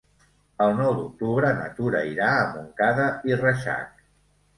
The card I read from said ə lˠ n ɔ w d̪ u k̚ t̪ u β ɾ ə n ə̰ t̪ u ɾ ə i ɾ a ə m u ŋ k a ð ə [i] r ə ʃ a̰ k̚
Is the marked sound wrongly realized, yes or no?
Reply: no